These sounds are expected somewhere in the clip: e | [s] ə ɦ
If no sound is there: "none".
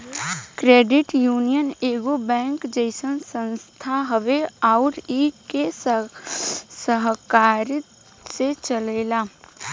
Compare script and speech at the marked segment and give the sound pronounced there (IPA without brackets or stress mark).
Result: s